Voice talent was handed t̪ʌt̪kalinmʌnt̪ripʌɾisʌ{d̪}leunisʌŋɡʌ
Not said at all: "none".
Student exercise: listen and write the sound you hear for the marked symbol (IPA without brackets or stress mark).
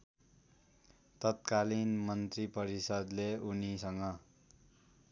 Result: d̪